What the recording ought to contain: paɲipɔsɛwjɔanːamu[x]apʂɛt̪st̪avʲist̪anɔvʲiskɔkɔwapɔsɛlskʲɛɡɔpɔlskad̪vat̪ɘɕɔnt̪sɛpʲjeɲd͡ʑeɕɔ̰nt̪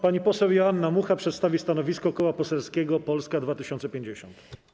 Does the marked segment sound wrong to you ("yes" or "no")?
no